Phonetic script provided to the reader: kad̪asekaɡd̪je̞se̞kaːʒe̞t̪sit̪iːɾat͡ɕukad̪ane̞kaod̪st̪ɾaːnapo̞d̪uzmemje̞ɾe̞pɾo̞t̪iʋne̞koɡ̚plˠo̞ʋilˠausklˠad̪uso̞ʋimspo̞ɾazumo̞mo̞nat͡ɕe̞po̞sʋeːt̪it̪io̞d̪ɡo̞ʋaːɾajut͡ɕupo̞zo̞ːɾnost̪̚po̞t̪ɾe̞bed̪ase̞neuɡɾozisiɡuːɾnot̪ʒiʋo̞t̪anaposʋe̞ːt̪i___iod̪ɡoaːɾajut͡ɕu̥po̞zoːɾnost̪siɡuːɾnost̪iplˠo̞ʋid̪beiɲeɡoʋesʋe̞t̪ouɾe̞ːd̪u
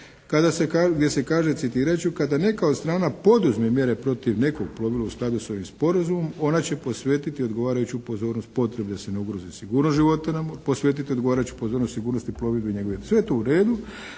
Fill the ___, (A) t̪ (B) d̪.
A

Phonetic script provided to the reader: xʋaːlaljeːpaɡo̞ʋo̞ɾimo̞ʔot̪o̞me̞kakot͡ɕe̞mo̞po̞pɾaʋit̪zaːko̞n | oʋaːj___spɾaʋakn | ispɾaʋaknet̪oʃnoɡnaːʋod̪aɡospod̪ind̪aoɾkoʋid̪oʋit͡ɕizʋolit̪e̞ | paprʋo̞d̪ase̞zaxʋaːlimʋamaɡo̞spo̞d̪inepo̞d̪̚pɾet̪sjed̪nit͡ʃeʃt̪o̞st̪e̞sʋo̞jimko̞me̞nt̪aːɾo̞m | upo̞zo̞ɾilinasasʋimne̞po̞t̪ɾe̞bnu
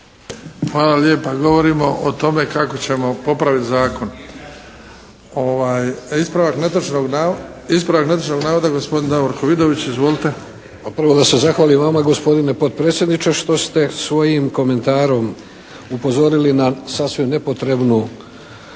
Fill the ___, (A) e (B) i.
B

